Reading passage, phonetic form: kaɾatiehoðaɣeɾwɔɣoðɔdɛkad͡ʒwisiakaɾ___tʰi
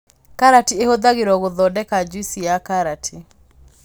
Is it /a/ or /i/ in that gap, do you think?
a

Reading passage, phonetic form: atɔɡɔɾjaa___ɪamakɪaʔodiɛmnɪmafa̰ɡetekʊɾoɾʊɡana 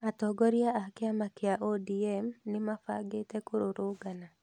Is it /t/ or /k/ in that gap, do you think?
k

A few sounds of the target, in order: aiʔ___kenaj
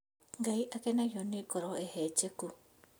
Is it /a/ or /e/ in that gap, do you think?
a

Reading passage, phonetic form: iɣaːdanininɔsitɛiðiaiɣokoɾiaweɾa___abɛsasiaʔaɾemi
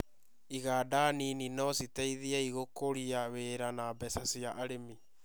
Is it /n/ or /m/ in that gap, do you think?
n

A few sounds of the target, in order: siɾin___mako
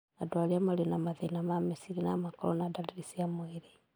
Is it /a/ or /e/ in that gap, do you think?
a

